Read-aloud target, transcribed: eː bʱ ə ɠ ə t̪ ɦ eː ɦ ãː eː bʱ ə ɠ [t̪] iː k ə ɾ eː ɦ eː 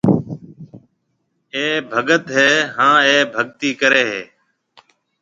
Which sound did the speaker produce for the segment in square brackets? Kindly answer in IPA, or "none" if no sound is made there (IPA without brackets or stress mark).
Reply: t̪